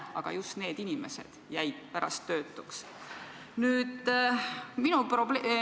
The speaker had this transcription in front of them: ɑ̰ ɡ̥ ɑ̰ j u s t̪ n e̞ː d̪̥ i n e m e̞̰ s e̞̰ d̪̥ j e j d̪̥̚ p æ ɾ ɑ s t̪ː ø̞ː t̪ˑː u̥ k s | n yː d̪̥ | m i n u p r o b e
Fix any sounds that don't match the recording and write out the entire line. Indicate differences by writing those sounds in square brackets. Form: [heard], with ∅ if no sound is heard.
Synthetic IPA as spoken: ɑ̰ ɡ̥ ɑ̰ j u s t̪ n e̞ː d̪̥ i n [i] m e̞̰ s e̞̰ d̪̥ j [æ] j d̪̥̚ p æ ɾ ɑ s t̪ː ø̞ː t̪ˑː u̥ k s | n yː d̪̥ | m i n u p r o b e